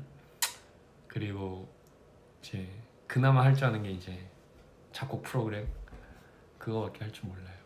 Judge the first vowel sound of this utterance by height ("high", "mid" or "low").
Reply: high